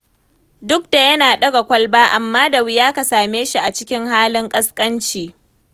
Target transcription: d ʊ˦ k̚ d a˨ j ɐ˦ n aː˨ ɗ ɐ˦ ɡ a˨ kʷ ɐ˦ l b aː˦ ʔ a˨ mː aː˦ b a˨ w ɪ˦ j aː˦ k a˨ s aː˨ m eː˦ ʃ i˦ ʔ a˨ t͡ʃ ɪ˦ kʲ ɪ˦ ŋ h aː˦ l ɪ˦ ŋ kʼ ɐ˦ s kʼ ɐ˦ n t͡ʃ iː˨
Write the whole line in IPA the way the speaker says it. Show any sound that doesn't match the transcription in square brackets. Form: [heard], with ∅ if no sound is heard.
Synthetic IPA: d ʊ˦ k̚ d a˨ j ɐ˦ n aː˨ ɗ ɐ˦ ɡ a˨ kʷ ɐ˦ l b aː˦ ʔ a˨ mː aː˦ [d] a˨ w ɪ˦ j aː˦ k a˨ s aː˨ m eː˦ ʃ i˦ ʔ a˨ t͡ʃ ɪ˦ kʲ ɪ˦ ŋ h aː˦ l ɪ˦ ŋ kʼ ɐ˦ s kʼ ɐ˦ n t͡ʃ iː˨